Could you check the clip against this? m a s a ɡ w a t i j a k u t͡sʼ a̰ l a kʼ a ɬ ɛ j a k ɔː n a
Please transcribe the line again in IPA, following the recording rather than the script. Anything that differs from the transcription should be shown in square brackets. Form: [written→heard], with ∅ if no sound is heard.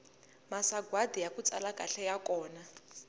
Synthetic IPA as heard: m a s a ɡ w a [t→d] i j a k u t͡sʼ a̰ l a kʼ a ɬ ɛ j a k ɔː n a